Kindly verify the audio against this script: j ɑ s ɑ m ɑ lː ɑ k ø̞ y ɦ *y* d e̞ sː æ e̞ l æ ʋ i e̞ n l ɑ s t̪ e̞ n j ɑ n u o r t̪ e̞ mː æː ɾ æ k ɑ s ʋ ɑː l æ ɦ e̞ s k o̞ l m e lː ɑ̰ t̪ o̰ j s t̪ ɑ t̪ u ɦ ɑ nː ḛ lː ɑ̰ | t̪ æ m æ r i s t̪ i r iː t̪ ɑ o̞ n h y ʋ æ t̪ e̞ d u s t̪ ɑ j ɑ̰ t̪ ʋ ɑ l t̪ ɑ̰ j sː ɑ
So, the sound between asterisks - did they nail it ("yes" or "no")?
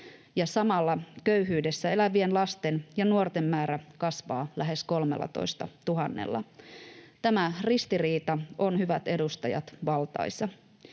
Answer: no